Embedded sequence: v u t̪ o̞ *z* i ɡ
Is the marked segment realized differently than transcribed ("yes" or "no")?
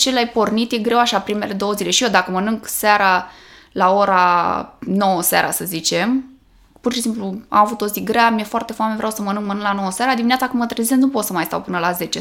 no